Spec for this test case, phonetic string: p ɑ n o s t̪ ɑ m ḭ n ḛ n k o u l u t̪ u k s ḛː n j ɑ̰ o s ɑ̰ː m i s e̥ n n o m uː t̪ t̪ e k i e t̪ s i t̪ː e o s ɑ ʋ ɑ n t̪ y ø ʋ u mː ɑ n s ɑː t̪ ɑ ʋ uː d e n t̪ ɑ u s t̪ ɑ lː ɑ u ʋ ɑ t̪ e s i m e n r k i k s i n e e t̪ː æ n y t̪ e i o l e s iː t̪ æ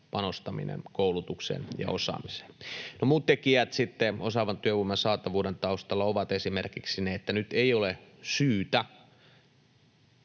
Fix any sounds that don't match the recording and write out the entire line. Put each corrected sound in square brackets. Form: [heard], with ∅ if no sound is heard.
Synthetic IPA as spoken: p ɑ n o s t̪ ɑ m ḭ n ḛ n k o u l u t̪ u k s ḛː n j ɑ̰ o s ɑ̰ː m i s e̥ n n o m uː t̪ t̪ e k i [æ] t̪ s i t̪ː e o s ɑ ʋ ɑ n t̪ y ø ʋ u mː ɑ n s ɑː t̪ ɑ ʋ uː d e n t̪ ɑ u s t̪ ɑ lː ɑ [o] ʋ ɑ t̪ e s i m e [∅] r k i k s i n e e t̪ː æ n y t̪ e i o l e s [yː] t̪ æ